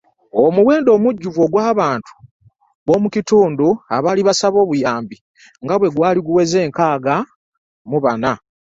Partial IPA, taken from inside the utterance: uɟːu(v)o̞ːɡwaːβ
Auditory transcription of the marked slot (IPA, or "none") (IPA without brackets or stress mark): v